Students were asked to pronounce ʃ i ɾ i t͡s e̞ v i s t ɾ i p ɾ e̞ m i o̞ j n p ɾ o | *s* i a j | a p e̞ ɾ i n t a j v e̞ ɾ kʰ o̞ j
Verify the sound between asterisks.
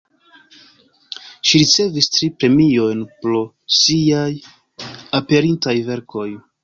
correct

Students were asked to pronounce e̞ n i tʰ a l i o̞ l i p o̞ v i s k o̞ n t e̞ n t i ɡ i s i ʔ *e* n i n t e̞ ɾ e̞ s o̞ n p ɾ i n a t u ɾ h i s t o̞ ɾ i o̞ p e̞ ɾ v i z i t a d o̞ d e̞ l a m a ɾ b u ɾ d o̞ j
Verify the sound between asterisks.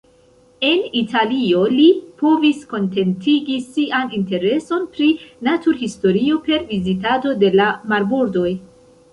incorrect: a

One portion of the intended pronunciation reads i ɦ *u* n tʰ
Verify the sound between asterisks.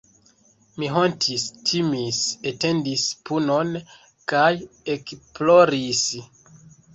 incorrect: o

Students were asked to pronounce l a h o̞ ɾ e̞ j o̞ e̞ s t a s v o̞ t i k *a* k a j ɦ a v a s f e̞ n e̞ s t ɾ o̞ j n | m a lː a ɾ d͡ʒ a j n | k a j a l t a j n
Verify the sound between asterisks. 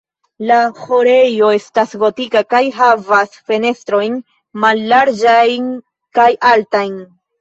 correct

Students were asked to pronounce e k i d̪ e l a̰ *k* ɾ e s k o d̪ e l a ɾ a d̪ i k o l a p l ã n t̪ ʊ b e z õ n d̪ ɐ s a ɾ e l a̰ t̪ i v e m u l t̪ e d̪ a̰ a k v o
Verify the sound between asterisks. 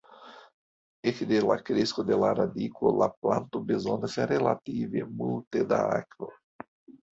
correct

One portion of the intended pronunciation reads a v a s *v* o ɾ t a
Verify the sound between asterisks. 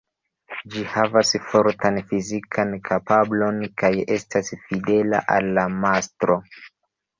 incorrect: f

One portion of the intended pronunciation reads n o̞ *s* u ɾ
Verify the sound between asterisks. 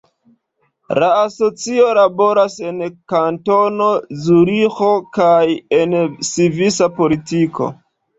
incorrect: z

